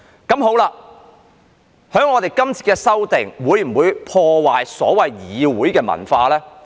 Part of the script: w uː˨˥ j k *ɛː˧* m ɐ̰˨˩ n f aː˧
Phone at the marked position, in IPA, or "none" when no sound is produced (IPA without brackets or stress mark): ɛː˧